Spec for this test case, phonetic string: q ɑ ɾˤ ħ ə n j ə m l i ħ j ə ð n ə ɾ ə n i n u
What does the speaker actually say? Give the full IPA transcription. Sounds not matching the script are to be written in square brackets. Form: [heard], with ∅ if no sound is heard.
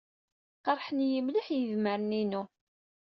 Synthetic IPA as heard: q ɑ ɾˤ ħ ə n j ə m l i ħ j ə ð [m] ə ɾ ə n i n u